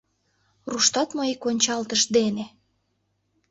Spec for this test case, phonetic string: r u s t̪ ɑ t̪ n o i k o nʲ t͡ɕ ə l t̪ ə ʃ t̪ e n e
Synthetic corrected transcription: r u ʃ t̪ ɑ t̪ m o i k o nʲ t͡ɕ ɑ l t̪ ə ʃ d̪ e n e